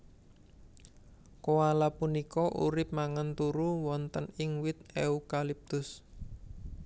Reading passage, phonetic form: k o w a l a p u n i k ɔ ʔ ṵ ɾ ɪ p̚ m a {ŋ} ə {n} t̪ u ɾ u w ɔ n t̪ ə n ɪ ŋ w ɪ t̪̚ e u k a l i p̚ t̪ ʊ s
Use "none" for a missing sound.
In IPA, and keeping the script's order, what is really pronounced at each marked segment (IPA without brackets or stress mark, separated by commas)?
ŋ, n